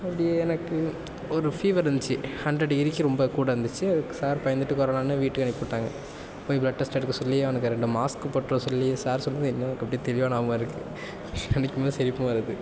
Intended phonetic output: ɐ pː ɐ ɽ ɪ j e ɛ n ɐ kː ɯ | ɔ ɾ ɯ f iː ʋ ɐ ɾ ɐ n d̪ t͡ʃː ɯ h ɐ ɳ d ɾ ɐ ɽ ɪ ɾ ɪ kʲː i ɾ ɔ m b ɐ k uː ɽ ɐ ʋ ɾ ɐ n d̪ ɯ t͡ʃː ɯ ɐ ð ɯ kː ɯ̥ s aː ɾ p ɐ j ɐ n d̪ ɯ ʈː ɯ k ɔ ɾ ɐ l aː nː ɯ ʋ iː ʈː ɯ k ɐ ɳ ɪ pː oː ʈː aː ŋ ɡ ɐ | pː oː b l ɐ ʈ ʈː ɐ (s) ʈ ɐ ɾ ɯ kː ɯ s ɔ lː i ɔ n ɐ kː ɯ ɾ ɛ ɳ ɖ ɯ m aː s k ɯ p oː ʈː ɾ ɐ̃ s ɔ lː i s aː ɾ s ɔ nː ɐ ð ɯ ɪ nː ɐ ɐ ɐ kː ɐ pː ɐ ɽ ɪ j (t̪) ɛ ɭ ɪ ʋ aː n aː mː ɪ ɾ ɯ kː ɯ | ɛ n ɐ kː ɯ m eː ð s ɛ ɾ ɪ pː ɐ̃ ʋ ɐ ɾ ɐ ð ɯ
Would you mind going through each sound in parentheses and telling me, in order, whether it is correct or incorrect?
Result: correct, correct

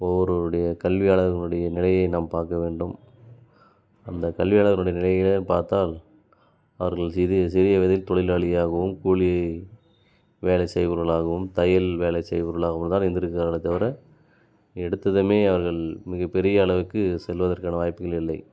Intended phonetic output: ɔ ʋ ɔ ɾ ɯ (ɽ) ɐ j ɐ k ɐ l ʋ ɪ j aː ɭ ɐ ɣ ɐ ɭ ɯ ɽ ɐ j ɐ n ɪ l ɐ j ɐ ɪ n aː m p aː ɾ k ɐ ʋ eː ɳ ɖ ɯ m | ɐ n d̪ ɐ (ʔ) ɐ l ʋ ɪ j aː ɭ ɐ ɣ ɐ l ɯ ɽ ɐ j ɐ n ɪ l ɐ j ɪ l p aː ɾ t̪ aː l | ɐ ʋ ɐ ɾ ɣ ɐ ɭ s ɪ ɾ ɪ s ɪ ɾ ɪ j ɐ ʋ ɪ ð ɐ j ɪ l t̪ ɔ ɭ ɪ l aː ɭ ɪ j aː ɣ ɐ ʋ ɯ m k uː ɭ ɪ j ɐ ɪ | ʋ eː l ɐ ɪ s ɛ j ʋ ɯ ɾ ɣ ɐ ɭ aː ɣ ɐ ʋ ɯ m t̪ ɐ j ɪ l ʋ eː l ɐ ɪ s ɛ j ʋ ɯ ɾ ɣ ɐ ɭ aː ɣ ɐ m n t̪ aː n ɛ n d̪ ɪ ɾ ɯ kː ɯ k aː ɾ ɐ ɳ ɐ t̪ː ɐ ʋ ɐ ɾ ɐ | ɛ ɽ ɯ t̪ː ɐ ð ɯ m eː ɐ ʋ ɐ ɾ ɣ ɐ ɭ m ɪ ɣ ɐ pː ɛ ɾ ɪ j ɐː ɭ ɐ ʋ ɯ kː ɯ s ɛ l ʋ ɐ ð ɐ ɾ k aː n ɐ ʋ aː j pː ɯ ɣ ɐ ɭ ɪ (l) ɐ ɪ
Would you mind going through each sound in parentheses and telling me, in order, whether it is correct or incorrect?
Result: correct, incorrect: k, incorrect: lː

